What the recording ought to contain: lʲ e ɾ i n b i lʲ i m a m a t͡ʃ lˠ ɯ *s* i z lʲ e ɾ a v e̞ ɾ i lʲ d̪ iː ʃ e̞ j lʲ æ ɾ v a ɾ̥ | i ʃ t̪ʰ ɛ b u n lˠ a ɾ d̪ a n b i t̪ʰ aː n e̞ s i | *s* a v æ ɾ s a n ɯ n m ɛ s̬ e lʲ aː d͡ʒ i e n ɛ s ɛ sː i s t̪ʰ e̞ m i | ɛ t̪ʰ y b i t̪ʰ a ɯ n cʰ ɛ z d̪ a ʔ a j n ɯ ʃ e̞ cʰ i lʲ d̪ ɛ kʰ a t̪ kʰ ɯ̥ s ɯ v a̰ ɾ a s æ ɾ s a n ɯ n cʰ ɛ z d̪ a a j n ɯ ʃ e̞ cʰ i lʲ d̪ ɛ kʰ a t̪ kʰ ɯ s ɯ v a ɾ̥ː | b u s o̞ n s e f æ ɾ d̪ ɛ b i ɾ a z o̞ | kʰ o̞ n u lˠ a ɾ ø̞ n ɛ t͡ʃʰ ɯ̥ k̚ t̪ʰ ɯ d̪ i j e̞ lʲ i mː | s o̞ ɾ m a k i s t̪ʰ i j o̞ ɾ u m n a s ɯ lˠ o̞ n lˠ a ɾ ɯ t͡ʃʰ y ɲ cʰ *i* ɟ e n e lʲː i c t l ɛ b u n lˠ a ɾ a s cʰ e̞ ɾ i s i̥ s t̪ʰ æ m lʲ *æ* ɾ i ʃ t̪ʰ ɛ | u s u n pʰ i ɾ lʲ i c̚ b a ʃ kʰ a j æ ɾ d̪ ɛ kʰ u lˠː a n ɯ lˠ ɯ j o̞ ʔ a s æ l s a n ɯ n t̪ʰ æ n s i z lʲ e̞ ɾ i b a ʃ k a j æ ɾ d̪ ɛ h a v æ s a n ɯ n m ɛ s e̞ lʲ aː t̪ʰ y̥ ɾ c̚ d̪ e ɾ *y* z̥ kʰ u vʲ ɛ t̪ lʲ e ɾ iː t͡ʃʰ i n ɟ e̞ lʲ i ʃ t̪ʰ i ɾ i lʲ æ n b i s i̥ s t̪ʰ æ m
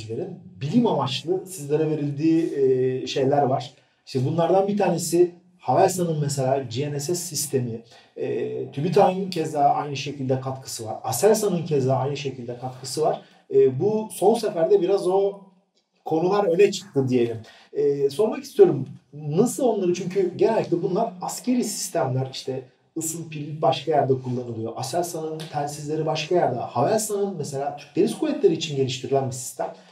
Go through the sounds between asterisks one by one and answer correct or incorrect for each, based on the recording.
correct, incorrect, incorrect, correct, incorrect

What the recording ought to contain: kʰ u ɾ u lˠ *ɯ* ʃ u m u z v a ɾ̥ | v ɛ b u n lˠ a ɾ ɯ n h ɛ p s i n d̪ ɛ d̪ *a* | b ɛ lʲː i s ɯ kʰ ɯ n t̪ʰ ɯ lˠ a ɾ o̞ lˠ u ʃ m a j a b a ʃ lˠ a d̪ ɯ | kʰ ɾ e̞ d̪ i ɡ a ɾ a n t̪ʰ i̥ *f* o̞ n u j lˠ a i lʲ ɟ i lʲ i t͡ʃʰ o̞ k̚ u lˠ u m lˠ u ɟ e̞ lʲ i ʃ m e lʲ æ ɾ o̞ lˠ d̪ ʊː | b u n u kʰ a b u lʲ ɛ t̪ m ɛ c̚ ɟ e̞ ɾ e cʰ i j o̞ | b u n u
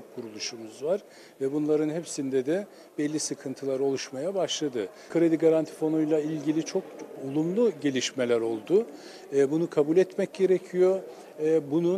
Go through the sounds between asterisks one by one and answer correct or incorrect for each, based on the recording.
incorrect, incorrect, correct

